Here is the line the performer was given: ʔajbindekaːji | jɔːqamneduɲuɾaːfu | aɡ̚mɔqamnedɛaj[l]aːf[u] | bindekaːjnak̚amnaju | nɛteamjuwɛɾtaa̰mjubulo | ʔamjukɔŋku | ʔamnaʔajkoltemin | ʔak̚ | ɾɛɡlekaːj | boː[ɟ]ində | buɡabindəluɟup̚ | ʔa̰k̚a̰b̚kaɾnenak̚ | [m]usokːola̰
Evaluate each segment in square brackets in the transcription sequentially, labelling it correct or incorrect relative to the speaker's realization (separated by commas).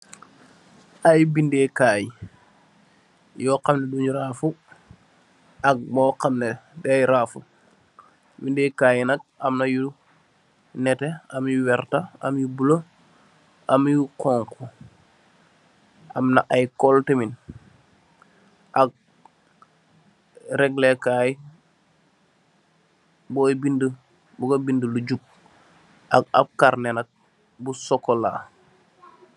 incorrect, correct, incorrect, incorrect